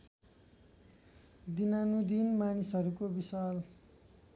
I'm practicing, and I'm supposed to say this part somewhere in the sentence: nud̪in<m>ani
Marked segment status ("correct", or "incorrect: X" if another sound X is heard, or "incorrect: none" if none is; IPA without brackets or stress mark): correct